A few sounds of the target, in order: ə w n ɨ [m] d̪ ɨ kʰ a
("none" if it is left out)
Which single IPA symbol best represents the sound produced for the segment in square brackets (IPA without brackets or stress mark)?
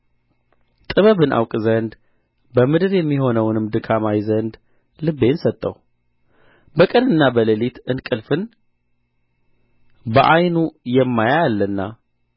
m